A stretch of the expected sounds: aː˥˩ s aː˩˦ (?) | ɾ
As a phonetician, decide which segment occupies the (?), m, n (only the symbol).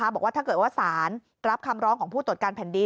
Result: n